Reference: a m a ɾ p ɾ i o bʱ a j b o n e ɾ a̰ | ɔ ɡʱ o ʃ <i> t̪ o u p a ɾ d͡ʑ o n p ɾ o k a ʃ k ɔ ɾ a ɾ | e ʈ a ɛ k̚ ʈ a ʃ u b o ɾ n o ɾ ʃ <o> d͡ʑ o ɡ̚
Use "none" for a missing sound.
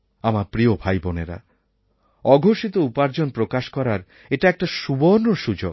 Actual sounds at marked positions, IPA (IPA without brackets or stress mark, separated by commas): i, u